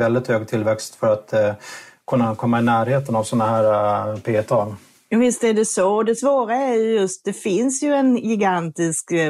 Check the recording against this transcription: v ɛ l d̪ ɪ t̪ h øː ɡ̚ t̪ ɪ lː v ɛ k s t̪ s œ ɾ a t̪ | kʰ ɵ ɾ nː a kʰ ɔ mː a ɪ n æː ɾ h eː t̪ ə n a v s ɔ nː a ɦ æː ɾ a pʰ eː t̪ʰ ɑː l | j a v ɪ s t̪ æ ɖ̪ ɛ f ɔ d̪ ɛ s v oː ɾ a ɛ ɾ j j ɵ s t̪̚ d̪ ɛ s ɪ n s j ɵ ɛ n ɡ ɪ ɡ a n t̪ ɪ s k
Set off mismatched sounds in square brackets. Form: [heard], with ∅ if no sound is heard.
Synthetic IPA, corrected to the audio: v ɛ l d̪ ɪ t̪ h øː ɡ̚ [t̪ʰ] ɪ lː v ɛ k s t̪ [f] œ ɾ a t̪ | kʰ ɵ [∅] nː a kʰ ɔ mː a ɪ n æː ɾ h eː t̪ ə n a v s ɔ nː a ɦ æː ɾ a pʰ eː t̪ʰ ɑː l | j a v ɪ s t̪ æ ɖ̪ ɛ [s] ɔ d̪ ɛ s v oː ɾ a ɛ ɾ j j ɵ s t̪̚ d̪ ɛ [f] ɪ n s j ɵ ɛ n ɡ ɪ ɡ a n t̪ ɪ s k